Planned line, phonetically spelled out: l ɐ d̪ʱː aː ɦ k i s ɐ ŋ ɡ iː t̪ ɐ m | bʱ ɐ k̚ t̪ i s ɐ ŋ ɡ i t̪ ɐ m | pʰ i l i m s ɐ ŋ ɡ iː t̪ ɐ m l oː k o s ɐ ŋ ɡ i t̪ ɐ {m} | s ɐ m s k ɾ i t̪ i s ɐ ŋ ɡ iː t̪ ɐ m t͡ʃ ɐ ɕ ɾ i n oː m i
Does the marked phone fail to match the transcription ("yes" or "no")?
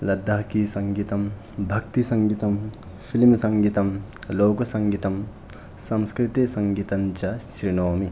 no